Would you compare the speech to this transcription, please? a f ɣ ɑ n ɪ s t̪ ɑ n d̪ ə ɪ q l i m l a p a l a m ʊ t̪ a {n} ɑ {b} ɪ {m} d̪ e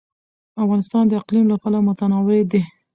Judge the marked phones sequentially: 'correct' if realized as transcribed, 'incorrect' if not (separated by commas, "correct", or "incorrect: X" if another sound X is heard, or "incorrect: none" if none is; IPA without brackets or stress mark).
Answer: correct, incorrect: w, incorrect: none